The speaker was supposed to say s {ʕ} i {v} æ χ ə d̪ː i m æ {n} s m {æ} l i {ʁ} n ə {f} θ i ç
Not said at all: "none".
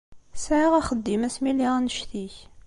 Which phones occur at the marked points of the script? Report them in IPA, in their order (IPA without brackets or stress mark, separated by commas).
ʕ, ʁ, none, i, ʁ, ʃ